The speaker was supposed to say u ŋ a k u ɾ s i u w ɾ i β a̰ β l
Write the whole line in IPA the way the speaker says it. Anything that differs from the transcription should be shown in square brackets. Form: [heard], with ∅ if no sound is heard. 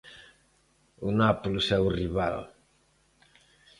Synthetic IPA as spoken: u [n] a [p] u [l] s [ɛ] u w [r] i β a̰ [∅] l